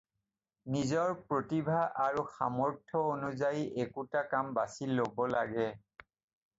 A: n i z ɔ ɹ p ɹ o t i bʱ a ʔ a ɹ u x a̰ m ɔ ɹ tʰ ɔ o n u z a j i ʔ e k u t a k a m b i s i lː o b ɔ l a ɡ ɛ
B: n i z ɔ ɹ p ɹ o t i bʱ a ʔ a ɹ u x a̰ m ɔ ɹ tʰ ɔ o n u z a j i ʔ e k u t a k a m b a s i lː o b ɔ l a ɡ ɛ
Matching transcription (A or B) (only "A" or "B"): B